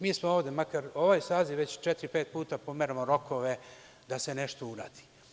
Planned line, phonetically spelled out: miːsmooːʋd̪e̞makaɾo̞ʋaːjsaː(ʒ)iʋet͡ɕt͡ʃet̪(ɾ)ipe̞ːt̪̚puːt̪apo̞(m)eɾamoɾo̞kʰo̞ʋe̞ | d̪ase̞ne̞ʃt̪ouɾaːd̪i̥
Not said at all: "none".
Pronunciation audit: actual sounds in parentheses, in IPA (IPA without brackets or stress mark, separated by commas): z, ɾ, m